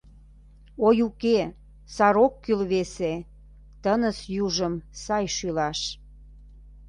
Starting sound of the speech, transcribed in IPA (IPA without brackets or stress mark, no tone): o